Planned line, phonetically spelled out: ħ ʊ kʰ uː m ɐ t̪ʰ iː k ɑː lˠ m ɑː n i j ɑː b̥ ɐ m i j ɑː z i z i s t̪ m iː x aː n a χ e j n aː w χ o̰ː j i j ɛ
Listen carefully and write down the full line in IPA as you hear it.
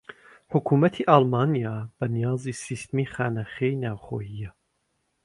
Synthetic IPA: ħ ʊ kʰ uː m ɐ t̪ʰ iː ʔ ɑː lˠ m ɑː n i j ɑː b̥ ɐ n i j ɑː z i s i s t̪ m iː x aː n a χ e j n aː w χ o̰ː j i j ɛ

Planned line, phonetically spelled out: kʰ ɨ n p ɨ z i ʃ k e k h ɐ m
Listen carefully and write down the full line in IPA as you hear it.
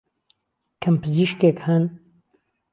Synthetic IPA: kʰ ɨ m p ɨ z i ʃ k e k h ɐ n

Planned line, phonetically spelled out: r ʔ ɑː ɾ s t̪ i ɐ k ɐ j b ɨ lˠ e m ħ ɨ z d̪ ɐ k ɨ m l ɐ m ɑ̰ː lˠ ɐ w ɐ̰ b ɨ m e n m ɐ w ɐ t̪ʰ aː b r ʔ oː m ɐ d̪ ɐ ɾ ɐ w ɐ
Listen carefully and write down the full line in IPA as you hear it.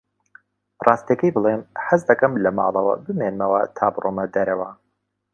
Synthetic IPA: r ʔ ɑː s t̪ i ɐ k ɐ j b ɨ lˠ e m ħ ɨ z d̪ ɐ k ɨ m l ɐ m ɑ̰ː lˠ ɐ w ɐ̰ b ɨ m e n m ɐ w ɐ t̪ʰ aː b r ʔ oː m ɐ d̪ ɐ ɾ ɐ w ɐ

